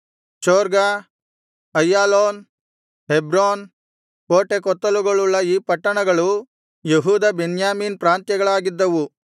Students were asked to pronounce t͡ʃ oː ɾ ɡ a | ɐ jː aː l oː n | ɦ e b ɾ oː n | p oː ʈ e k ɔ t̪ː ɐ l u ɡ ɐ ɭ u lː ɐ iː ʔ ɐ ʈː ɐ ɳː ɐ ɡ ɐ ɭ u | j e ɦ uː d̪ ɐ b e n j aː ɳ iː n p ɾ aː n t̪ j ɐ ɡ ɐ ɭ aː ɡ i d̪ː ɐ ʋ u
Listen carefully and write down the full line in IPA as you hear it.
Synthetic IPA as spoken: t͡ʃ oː ɾ ɡ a | ɐ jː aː l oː n | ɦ e b ɾ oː n | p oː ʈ e k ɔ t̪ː ɐ l u ɡ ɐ ɭ u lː ɐ iː p ɐ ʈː ɐ ɳ ɐ ɡ ɐ ɭ u | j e ɦ uː d̪ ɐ b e n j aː m iː n p ɾ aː n t̪ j ɐ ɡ ɐ ɭ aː ɡ i d̪ː ɐ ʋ u